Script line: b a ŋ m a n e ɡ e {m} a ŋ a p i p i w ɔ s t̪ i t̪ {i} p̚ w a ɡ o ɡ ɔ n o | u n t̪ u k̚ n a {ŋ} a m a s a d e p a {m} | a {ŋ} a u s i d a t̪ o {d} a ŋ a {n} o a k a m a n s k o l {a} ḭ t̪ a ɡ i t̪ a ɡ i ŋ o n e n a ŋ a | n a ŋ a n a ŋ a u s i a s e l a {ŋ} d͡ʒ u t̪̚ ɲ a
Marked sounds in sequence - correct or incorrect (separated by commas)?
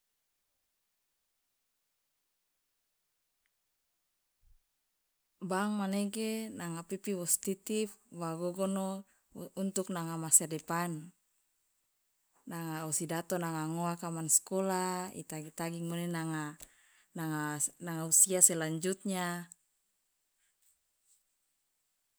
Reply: incorrect, correct, correct, incorrect, correct, incorrect, incorrect, correct, incorrect